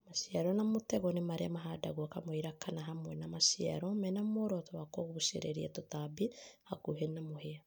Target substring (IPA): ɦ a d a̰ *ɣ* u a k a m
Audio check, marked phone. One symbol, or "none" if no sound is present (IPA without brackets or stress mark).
ɣ